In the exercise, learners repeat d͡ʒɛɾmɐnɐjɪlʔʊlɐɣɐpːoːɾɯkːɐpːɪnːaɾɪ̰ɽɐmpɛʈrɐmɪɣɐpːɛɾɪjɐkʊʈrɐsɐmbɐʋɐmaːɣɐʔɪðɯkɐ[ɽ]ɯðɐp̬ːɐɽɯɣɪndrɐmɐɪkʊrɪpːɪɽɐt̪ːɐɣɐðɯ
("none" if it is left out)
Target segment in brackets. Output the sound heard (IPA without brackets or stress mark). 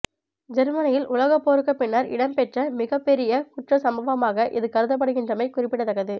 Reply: ɾ